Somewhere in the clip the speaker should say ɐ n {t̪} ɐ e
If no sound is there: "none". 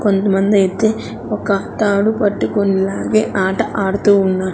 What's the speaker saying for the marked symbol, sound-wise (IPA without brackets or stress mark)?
d̪